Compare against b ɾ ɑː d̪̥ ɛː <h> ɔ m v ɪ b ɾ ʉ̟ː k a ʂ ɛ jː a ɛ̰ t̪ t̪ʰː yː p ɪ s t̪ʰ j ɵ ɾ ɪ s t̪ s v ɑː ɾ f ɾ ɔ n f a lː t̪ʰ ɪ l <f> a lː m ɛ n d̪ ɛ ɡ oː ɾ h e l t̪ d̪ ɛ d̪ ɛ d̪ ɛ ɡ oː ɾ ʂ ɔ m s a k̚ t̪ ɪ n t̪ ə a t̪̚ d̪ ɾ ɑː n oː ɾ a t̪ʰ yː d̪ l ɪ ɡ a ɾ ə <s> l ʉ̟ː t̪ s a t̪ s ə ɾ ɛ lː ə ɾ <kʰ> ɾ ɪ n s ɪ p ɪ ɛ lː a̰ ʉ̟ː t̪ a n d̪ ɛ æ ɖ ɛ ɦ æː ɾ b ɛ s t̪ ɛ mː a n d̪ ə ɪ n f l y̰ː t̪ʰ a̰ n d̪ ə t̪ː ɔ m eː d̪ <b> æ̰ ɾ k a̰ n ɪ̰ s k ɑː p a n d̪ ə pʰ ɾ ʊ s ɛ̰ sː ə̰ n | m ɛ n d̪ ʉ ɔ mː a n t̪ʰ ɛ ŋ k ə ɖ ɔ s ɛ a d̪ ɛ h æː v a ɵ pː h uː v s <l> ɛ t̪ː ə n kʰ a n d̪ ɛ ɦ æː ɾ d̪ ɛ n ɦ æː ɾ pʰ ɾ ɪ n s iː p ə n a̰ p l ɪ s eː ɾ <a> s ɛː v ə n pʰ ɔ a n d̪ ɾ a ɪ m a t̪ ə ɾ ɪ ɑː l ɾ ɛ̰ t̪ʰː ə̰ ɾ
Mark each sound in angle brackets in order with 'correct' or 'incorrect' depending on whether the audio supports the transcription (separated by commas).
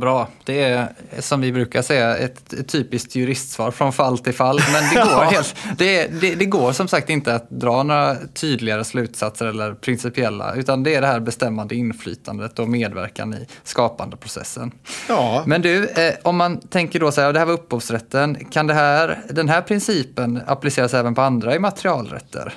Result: incorrect, correct, correct, incorrect, incorrect, incorrect, correct